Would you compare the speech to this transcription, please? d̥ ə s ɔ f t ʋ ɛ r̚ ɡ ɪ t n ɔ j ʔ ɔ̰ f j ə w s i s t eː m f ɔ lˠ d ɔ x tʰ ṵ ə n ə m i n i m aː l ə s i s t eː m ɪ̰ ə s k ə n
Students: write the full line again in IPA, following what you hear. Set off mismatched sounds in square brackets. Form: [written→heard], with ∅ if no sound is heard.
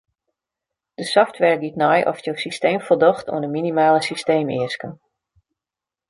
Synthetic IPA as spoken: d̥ ə s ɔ f t ʋ ɛ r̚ ɡ [ɪ→i] t n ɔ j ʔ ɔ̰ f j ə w s i s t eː m f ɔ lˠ d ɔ x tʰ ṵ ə n ə m i n i m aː l ə s i s t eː m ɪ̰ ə s k ə n